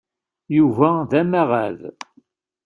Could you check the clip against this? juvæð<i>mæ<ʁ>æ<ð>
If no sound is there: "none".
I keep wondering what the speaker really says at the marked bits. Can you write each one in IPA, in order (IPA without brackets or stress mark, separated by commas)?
æ, ʁ, ð